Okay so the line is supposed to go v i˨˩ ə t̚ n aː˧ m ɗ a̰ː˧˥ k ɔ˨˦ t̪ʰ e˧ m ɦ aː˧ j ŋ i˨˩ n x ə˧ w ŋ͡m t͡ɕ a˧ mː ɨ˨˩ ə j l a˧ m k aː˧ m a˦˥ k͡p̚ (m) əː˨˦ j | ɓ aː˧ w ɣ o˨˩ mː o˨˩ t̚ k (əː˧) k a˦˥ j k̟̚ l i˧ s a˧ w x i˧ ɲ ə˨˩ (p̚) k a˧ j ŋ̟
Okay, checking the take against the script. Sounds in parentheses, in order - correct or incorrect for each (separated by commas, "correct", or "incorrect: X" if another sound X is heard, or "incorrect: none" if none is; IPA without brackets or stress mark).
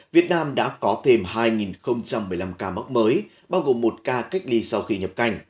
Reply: correct, incorrect: aː˧, correct